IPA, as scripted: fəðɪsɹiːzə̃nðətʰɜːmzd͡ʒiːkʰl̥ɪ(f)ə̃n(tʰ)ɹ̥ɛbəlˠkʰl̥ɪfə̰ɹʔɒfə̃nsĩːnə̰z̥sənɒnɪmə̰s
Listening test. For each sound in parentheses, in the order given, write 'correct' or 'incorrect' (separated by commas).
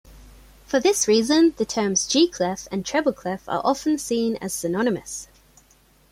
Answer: correct, correct